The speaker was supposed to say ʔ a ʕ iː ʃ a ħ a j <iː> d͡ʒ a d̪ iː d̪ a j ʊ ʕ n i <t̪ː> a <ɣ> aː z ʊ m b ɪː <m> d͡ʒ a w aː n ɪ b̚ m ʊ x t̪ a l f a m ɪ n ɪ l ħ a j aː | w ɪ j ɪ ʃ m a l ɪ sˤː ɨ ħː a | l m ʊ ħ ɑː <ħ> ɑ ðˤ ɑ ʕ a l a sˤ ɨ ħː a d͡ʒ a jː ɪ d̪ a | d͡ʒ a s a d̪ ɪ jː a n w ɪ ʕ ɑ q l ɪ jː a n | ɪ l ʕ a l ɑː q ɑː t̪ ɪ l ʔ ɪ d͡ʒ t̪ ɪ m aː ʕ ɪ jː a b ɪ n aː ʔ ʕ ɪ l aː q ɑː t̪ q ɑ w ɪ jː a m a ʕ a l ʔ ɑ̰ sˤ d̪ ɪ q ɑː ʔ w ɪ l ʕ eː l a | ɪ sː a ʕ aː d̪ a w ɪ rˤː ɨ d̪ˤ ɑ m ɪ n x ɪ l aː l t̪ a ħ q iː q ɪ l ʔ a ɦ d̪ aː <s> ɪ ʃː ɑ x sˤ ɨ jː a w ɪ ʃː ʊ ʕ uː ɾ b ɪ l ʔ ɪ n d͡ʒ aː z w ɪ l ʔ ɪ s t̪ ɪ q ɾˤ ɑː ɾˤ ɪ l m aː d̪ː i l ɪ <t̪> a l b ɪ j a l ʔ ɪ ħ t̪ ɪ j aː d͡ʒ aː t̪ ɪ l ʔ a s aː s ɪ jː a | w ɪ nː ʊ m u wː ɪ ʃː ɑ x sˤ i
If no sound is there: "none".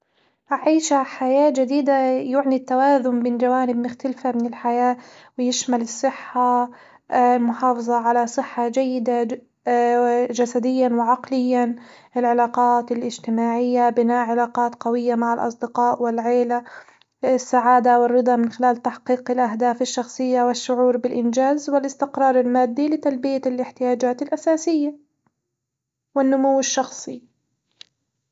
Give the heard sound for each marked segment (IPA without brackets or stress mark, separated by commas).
aː, t̪ː, w, n, f, f, t̪